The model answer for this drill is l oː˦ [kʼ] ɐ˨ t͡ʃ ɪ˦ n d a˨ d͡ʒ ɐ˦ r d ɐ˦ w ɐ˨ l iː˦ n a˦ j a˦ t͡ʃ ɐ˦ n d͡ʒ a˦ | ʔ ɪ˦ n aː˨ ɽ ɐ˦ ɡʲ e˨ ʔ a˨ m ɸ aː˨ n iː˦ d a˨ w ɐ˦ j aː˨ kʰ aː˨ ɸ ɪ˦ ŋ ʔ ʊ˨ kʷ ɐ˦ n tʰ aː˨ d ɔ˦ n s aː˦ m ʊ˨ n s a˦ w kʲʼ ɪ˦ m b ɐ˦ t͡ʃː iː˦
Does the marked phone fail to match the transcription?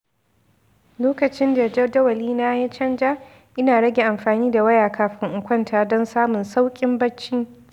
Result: yes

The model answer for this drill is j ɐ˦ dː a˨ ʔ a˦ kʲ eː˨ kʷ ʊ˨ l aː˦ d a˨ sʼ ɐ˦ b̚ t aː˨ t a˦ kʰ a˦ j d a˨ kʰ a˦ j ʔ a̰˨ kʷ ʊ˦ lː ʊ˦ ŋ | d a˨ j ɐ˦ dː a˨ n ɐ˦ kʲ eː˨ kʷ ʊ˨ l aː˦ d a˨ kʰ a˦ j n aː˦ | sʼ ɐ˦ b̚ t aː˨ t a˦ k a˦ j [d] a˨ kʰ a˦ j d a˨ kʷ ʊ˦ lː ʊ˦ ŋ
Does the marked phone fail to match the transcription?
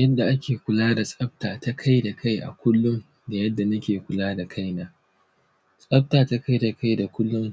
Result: no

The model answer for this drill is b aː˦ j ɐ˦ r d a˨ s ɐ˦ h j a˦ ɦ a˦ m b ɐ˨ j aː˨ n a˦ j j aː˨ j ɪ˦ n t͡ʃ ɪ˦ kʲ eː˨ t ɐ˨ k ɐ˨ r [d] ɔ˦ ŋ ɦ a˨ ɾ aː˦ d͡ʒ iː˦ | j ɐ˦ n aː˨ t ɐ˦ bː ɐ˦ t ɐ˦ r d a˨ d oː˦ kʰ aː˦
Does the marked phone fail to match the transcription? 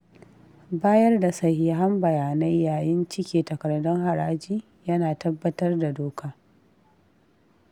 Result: no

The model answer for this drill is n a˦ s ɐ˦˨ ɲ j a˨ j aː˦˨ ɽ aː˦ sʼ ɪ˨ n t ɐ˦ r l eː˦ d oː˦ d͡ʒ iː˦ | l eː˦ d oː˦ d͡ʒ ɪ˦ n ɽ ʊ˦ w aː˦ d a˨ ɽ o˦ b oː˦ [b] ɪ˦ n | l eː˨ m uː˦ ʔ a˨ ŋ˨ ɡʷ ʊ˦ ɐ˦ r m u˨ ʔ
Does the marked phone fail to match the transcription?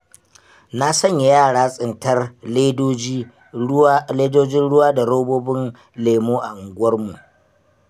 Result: no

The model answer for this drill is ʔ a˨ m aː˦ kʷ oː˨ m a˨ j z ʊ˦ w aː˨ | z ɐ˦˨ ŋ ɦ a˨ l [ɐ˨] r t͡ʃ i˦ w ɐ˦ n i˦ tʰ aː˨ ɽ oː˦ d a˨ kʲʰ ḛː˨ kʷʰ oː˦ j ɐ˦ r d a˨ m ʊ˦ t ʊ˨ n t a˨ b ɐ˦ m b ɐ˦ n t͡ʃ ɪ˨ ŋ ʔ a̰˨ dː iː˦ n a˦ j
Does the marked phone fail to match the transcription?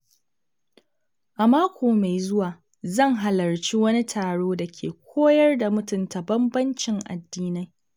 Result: no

